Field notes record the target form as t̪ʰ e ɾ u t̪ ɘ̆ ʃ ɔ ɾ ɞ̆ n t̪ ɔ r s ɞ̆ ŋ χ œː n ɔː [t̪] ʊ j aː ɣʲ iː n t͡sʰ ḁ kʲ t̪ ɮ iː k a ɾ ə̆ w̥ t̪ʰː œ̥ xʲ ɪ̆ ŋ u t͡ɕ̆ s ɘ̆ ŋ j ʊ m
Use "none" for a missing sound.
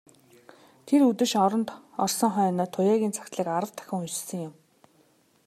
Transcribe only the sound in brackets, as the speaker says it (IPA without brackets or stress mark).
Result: t̪ʰ